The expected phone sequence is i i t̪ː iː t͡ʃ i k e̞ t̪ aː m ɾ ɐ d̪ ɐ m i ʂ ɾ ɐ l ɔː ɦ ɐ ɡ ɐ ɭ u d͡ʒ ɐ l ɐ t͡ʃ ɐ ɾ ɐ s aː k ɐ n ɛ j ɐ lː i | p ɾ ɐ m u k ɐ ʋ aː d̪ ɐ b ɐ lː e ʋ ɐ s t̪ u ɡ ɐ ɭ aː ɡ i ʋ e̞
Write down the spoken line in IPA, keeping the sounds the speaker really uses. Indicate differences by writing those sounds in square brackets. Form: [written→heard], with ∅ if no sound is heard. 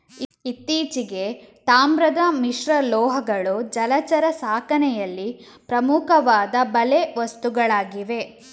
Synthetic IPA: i i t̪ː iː t͡ʃ i [k→ɡ] e̞ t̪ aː m ɾ ɐ d̪ ɐ m i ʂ ɾ ɐ l ɔː ɦ ɐ ɡ ɐ ɭ u d͡ʒ ɐ l ɐ t͡ʃ ɐ ɾ ɐ s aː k ɐ n ɛ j ɐ lː i | p ɾ ɐ m u k ɐ ʋ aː d̪ ɐ b ɐ [lː→l] e ʋ ɐ s t̪ u ɡ ɐ ɭ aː ɡ i ʋ e̞